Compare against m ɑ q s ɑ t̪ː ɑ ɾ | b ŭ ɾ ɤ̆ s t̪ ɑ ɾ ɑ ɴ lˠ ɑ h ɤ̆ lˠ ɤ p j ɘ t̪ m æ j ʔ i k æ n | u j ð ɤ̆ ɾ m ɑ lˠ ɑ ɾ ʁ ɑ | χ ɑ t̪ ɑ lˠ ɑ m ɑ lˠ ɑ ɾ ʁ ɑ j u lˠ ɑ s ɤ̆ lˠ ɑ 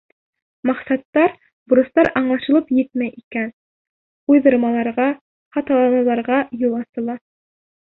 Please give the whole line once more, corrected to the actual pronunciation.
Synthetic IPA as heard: m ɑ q s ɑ t̪ː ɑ ɾ | b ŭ ɾ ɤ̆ s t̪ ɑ ɾ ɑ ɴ lˠ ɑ ʃ ɤ̆ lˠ ɤ p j ɘ t̪ m æ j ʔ i k æ n | u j ð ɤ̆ ɾ m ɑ lˠ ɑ ɾ ʁ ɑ | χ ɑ t̪ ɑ lˠ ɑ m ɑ lˠ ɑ ɾ ʁ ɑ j u lˠ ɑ s ɤ̆ lˠ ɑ